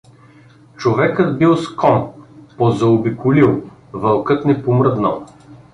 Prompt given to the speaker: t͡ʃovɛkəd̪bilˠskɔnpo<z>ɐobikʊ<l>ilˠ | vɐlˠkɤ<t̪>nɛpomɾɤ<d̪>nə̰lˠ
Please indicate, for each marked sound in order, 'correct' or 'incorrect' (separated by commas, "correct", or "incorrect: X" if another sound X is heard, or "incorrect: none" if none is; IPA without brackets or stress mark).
correct, correct, correct, correct